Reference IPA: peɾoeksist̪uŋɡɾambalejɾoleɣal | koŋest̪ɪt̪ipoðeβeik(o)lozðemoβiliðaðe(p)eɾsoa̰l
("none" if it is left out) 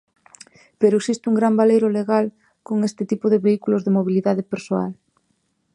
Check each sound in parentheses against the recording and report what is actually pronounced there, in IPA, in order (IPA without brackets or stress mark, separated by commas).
u, p